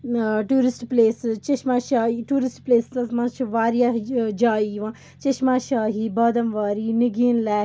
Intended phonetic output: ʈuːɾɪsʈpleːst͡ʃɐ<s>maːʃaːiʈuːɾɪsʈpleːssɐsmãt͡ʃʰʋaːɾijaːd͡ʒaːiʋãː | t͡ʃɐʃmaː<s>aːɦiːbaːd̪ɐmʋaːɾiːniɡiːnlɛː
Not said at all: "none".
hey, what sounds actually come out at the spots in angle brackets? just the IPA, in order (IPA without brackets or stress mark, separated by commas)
ʃ, ʃ